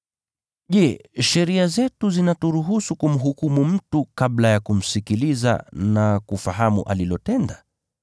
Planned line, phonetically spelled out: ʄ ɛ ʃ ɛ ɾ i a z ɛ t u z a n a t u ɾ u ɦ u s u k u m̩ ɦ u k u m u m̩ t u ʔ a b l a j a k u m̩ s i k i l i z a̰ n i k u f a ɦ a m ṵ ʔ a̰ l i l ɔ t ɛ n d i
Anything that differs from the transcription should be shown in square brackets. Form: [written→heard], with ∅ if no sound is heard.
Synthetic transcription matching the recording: ʄ ɛ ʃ ɛ ɾ i a z ɛ t u z [a→i] n a t u ɾ u ɦ u s u k u m̩ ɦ u k u m u m̩ t u [ʔ→k] a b l a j a k u m̩ s i k i l i z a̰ n [i→a] k u f a ɦ a m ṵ ʔ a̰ l i l ɔ t ɛ n d [i→a]